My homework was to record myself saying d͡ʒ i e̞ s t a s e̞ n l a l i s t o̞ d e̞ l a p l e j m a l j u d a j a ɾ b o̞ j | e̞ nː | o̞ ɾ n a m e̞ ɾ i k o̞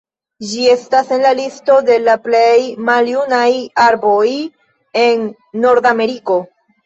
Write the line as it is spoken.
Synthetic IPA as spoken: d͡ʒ i e̞ s t a s e̞ n l a l i s t o̞ d e̞ l a p l e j m a l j u n a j a ɾ b o̞ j | e̞ nː | o̞ ɾ d a m e̞ ɾ i k o̞

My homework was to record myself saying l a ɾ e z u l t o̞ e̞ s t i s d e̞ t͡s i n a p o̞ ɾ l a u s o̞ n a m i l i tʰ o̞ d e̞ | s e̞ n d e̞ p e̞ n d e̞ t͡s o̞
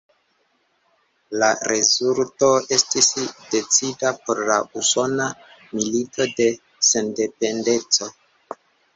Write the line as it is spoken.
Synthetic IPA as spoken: l a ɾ e z u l t o̞ e̞ s t i s d e̞ t͡s i d a p o̞ ɾ l a u s o̞ n a m i l i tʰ o̞ d e̞ | s e̞ n d e̞ p e̞ n d e̞ t͡s o̞

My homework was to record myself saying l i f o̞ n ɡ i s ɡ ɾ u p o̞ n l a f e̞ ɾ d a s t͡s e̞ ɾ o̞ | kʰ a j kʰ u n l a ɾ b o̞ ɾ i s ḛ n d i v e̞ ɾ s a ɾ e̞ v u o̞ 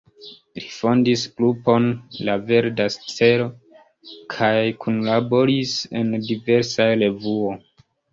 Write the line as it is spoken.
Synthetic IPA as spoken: l i f o̞ n d i s ɡ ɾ u p o̞ n l a v e̞ ɾ d a s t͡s e̞ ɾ o̞ | kʰ a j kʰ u n l a b o̞ ɾ i s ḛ n d i v e̞ ɾ s a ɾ e̞ v u o̞

